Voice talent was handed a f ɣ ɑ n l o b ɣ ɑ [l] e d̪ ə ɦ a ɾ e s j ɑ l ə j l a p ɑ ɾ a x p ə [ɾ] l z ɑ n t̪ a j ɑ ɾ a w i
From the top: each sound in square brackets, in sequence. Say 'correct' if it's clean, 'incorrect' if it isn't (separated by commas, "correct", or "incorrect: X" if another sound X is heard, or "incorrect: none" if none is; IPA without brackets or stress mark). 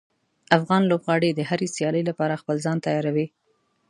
incorrect: ɽ, incorrect: none